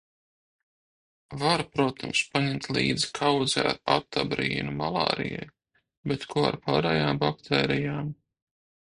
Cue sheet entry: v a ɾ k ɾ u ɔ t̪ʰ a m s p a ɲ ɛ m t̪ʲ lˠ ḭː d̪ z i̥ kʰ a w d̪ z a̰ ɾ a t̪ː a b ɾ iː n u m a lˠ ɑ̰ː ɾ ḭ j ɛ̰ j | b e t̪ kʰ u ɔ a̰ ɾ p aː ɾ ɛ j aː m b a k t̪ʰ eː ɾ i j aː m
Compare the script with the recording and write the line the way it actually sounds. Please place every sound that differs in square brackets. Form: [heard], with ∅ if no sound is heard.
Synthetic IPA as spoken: v a ɾ [p] ɾ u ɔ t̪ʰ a m s p a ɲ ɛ m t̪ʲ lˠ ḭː d̪ z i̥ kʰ a w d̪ z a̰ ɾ a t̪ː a b ɾ iː n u m a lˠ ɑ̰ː ɾ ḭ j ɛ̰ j | b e t̪ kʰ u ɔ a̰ ɾ p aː ɾ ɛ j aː m b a k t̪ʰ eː ɾ i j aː m